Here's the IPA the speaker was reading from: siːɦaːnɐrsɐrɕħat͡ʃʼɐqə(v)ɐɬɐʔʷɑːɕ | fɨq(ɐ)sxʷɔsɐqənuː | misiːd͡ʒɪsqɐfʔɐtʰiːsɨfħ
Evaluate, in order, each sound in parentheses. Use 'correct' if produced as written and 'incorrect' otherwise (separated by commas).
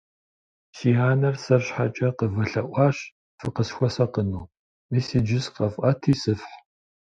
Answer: correct, incorrect